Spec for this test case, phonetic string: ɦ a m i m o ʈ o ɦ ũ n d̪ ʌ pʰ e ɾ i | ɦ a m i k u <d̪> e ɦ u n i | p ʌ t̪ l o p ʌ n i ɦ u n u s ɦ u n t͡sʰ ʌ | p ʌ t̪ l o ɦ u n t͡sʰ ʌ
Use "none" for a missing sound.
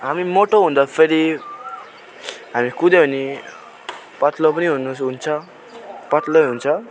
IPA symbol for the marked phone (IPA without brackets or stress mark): d̪